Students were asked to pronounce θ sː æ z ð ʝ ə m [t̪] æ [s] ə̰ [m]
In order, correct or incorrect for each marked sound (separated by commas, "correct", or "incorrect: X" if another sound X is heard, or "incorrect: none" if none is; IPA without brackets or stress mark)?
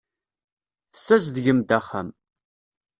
incorrect: d̪, incorrect: χ, correct